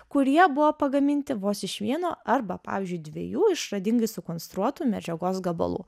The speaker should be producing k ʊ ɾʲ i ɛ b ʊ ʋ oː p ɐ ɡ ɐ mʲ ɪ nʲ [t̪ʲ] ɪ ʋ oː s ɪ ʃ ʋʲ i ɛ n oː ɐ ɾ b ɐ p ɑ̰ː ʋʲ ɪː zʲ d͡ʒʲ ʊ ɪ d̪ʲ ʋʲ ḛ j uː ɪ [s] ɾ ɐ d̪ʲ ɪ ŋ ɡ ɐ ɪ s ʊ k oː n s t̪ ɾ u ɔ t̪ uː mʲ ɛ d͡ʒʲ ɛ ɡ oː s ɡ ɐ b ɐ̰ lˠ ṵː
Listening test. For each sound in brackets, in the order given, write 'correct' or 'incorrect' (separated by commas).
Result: correct, incorrect